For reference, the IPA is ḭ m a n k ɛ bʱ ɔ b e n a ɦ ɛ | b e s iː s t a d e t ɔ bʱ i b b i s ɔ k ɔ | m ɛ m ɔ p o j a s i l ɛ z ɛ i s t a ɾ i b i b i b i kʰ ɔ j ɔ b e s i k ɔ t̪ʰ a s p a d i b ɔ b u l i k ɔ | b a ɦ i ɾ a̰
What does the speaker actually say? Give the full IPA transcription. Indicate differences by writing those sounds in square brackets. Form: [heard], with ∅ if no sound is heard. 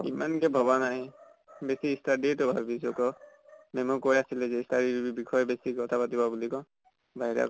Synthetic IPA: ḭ m a n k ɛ bʱ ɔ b [a] n a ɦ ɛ | b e s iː s t a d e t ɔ bʱ [a] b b i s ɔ k ɔ | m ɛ m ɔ [k] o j a s i l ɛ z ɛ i s t a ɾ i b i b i b i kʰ ɔ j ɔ b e s i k ɔ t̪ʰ a [∅] p a [t] i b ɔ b u l i k ɔ | b a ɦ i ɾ a̰

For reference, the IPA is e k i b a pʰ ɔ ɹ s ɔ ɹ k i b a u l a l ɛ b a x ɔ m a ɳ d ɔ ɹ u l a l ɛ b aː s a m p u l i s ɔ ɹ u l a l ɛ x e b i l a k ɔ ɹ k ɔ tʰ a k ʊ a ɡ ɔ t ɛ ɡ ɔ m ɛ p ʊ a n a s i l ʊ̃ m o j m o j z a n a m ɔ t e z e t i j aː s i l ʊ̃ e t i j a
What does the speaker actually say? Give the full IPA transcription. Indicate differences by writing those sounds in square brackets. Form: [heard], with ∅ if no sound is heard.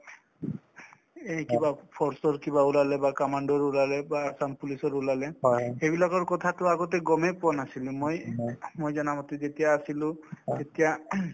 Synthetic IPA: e k i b a pʰ ɔ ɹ s ɔ ɹ k i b a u l a l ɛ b a [k] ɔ m a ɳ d ɔ ɹ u l a l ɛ b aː s a m p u l i s ɔ ɹ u l a l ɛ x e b i l a k ɔ ɹ k ɔ tʰ a [t] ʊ a ɡ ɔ t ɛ ɡ ɔ m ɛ p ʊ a n a s i l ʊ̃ m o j m o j z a n a m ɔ t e z e t i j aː s i l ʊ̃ e t i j a

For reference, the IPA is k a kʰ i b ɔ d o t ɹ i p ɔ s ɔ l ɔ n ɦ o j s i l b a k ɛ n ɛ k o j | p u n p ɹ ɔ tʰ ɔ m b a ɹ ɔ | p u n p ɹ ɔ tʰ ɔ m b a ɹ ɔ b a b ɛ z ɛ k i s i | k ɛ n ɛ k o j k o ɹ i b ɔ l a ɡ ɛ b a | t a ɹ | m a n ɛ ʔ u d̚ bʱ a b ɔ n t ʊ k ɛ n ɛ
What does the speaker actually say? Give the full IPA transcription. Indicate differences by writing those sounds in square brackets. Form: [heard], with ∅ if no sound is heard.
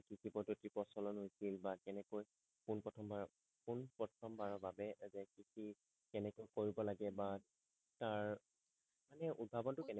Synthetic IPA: k [i] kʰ i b ɔ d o t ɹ i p ɔ s ɔ l ɔ n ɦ o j s i l b a k ɛ n ɛ k o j | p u n p ɹ ɔ tʰ ɔ m b a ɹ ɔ | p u n p ɹ ɔ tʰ ɔ m b a ɹ ɔ b a b ɛ z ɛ k i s i | k ɛ n ɛ k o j k o ɹ i b ɔ l a ɡ ɛ b a | t a ɹ | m a n ɛ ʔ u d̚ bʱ a b ɔ n t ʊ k ɛ n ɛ

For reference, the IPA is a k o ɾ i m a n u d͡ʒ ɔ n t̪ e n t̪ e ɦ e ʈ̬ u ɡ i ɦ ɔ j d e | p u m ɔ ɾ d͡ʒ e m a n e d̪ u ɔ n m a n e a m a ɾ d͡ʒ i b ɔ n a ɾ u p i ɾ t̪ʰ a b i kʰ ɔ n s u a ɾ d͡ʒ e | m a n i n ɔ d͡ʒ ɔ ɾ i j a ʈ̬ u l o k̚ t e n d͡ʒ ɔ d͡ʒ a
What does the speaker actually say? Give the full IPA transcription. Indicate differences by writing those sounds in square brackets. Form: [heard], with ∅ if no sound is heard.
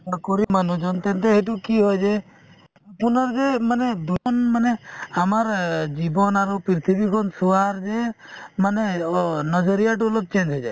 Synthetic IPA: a k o ɾ i m a n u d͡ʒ ɔ n t̪ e n t̪ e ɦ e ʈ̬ u [k] i ɦ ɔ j [d͡ʒ] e | p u [n] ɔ ɾ d͡ʒ e m a n e d̪ u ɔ n m a n e a m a ɾ d͡ʒ i b ɔ n a ɾ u p i ɾ t̪ʰ [i] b i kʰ ɔ n s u a ɾ d͡ʒ e | m a n [e] n ɔ d͡ʒ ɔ ɾ i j a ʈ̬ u l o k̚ [t͡ʃ] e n d͡ʒ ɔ d͡ʒ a

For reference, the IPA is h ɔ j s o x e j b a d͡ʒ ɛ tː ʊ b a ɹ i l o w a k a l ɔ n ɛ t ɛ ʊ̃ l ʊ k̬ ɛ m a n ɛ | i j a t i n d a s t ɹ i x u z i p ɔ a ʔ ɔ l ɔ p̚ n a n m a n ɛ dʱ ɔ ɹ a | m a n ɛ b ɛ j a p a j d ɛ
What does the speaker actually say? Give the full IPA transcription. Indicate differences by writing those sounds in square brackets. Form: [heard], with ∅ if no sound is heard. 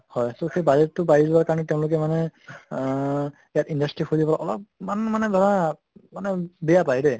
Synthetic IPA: h ɔ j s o x e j b a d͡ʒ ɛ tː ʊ b a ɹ i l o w a k a [ɹ] ɔ n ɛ t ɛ ʊ̃ l ʊ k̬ ɛ m a n ɛ | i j a t i n d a s t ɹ i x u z i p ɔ a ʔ ɔ l ɔ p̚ [m] a n m a n ɛ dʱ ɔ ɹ a | m a n ɛ b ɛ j a p a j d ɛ

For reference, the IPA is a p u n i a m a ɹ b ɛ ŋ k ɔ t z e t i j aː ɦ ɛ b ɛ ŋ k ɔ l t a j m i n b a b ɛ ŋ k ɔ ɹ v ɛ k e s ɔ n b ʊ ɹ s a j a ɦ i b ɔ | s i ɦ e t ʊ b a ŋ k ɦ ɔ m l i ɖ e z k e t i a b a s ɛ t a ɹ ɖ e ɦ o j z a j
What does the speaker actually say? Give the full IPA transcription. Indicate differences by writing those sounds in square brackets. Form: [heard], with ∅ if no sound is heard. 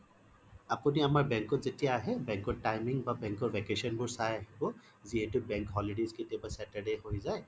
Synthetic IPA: a p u n i a m a ɹ b ɛ ŋ k ɔ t z e t i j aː ɦ ɛ b ɛ ŋ k ɔ [ɹ] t a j m i [ŋ] b a b ɛ ŋ k ɔ ɹ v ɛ k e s ɔ n b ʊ ɹ s a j a ɦ i b ɔ | [z] i ɦ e t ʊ b [ɛ] ŋ k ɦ ɔ [∅] l i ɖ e z k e t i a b a s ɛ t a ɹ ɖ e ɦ o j z a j

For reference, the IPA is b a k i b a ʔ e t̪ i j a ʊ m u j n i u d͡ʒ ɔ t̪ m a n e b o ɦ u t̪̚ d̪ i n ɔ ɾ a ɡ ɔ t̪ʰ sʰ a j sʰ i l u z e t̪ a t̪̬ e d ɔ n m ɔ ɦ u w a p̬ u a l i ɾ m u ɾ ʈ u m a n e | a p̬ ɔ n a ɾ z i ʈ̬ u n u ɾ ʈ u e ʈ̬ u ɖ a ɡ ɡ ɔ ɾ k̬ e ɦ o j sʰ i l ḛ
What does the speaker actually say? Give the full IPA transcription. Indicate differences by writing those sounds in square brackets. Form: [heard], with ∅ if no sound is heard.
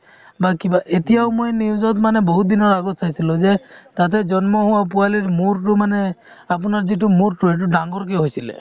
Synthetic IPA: b a k i b a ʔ e t̪ i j a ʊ m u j n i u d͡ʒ ɔ t̪ m a n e b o ɦ u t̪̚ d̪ i n ɔ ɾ a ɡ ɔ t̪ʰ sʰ a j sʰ i l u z e t̪ a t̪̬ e [d͡ʒ] ɔ n m ɔ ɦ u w a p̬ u a l i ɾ m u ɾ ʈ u m a n e | a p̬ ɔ n a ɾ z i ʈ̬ u [m] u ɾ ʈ u e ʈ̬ u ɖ a [ŋ] ɡ ɔ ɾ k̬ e ɦ o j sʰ i l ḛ

